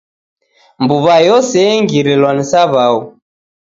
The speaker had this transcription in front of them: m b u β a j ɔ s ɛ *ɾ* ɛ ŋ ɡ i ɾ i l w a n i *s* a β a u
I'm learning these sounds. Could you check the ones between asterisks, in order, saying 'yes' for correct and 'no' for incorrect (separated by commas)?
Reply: no, yes